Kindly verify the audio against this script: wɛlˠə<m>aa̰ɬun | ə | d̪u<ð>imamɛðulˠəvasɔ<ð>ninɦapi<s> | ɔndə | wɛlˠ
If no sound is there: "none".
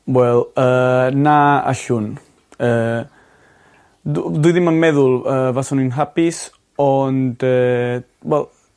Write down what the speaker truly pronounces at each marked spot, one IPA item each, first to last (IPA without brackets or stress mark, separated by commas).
n, ð, none, s